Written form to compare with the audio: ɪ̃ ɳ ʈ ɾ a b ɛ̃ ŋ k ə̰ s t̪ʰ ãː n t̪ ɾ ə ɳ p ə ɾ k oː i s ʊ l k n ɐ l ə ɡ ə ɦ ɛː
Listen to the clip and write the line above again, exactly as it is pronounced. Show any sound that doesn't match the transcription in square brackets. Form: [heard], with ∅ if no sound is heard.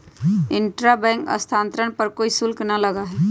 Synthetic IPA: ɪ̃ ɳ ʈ ɾ a b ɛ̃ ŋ k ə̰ s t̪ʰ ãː n t̪ ɾ ə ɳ p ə ɾ k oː i s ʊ l k n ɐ l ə ɡ [a] ɦ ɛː